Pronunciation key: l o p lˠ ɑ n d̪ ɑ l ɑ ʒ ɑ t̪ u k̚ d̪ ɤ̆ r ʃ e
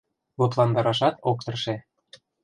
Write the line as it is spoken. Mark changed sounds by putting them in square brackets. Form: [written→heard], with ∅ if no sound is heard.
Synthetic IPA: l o p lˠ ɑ n d̪ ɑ [l→ɾ] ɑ [ʒ→ʃ] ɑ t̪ [u→o] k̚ [d̪→t̪] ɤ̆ r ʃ e